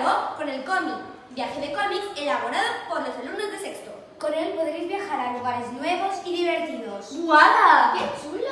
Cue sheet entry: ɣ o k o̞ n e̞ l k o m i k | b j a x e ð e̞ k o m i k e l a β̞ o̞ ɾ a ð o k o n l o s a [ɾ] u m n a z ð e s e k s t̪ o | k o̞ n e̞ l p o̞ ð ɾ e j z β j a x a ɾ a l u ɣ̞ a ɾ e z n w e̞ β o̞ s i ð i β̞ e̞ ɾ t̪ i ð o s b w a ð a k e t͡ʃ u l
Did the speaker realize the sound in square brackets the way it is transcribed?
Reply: no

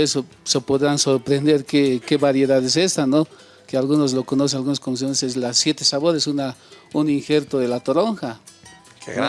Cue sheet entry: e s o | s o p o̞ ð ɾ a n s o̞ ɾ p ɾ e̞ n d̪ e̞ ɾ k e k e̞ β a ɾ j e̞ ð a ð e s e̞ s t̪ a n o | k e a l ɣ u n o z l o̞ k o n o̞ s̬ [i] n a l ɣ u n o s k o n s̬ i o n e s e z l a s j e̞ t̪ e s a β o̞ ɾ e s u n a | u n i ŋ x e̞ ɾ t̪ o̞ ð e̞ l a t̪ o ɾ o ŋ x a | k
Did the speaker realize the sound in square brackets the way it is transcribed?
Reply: no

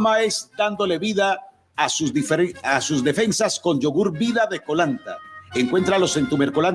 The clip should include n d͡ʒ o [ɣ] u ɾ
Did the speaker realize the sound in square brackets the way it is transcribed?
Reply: yes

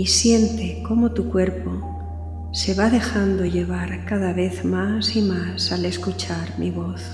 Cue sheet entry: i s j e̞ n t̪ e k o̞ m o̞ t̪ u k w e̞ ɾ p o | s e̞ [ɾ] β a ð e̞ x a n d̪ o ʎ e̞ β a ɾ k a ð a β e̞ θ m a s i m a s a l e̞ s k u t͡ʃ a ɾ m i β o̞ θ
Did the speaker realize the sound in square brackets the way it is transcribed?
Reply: no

